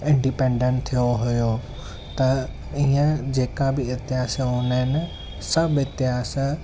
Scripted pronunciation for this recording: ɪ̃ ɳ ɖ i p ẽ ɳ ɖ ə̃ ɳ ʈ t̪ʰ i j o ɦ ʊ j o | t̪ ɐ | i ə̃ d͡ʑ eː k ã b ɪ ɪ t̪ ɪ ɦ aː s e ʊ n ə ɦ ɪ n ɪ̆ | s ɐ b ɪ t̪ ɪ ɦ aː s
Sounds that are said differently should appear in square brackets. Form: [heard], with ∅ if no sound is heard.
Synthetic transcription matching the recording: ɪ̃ ɳ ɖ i p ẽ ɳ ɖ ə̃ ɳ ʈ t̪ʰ i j o ɦ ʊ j o | t̪ ɐ | i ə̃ d͡ʑ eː k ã b ɪ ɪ t̪ ɪ ɦ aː s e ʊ n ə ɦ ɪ n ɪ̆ | s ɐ b ɪ t̪ ɪ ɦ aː s